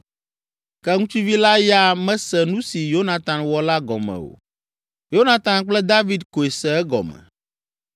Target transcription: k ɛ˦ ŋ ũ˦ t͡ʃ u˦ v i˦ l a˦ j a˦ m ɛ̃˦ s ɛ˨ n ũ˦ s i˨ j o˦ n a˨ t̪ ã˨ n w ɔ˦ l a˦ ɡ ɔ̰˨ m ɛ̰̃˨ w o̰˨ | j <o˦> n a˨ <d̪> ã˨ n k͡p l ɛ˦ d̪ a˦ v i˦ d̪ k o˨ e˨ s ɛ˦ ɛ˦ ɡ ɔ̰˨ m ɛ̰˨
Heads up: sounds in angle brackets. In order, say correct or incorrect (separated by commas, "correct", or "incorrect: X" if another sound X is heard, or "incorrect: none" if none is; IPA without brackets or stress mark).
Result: correct, incorrect: t̪